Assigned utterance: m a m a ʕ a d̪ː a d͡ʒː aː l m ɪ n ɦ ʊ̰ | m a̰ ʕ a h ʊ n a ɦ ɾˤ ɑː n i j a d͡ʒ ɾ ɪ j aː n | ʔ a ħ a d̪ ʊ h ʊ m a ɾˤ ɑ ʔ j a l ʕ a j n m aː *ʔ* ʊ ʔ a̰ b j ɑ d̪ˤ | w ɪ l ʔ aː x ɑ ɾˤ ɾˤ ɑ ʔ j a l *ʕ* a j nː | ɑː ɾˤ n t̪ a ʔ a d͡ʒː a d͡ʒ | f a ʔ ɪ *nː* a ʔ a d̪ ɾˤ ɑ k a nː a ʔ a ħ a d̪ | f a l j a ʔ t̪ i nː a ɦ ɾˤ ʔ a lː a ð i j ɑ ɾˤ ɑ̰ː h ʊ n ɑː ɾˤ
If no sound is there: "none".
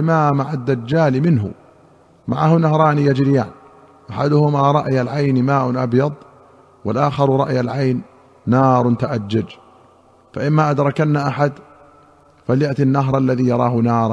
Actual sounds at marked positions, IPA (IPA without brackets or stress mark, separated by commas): ʔ, ʕ, mː